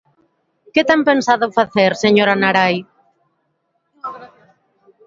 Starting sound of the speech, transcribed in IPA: k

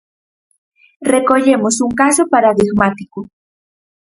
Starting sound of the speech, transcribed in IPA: r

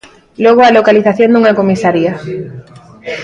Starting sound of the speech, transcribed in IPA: l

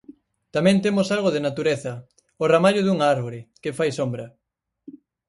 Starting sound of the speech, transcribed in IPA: t̪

